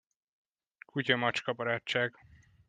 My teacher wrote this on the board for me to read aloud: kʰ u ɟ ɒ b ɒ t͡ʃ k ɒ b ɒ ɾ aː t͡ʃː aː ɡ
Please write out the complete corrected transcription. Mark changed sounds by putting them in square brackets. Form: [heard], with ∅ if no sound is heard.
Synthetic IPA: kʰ u [c] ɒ [m] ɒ t͡ʃ k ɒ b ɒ ɾ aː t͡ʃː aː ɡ